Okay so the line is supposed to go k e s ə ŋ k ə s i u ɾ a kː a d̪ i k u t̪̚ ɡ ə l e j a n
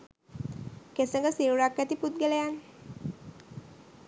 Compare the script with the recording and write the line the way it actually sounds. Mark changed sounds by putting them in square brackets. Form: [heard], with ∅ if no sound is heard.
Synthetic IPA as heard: k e s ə ŋ [ɡ] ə s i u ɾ a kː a [t̪] i [p] u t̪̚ ɡ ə l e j a n